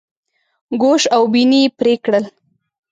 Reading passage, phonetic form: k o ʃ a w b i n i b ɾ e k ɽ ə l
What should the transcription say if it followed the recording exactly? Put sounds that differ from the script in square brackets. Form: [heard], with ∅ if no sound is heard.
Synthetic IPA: [ɡ] o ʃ a w b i n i [p] ɾ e k ɽ ə l